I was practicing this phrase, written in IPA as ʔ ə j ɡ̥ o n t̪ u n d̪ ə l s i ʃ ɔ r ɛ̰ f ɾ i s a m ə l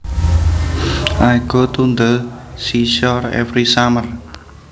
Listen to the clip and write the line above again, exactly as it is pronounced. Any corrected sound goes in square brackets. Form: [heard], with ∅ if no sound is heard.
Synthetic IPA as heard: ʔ [a] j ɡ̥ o [∅] t̪ u n d̪ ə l s i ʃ ɔ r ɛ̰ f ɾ i s a m ə [r]